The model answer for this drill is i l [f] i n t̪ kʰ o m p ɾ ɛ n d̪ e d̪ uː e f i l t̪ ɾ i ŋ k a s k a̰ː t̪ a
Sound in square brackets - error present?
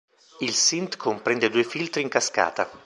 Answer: yes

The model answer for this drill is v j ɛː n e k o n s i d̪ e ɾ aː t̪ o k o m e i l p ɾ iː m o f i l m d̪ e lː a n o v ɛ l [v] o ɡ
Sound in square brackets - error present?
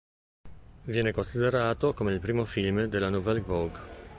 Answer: no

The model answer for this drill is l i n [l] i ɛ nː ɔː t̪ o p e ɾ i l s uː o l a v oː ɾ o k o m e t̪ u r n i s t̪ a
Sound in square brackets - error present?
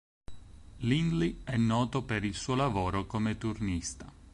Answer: no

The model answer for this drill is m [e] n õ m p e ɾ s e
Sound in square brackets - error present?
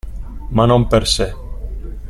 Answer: yes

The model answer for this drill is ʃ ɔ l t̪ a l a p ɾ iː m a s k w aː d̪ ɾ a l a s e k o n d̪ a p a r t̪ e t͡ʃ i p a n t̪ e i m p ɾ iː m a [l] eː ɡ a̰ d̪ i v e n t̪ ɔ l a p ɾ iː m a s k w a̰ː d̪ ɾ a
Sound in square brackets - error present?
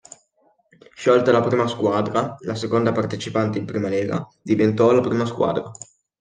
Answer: no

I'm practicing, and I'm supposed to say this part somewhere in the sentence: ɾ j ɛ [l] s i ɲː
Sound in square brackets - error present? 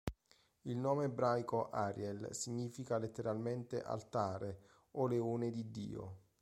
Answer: no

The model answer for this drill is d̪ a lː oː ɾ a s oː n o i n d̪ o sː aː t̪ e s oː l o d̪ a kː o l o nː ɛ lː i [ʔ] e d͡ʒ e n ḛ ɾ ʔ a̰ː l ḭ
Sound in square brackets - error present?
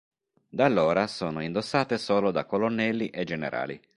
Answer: no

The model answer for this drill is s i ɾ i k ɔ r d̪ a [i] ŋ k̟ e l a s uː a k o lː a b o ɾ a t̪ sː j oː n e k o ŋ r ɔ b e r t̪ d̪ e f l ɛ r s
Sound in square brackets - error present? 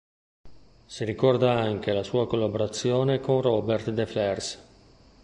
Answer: yes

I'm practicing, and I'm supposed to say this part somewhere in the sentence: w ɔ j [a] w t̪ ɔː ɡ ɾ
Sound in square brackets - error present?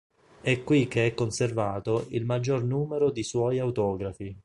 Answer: no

